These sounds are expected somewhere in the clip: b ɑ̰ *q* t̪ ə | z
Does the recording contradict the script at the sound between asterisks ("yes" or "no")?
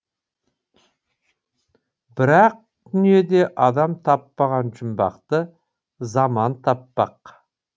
no